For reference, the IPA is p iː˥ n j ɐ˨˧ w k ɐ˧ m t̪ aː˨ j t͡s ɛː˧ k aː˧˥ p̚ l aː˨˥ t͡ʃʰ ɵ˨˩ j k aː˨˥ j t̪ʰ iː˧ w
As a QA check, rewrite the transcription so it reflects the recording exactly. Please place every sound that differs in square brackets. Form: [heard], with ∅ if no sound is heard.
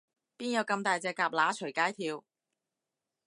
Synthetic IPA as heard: p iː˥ n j ɐ˨˧ w k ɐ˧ m t̪ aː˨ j t͡s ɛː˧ k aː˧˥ p̚ l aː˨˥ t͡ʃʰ ɵ˨˩ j k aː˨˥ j t̪ʰ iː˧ w